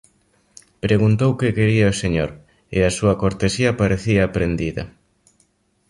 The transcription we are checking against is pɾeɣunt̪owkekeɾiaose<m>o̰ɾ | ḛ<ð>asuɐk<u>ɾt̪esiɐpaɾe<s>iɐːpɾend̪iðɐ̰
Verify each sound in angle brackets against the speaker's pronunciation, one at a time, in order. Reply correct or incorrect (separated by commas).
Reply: incorrect, incorrect, incorrect, incorrect